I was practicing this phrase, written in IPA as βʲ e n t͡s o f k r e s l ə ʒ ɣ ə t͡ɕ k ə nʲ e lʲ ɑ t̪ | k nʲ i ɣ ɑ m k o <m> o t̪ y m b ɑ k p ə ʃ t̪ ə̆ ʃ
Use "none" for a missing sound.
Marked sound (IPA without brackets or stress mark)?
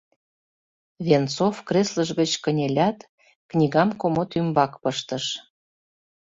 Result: m